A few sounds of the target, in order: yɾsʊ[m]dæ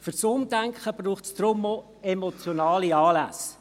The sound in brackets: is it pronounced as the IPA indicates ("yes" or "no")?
yes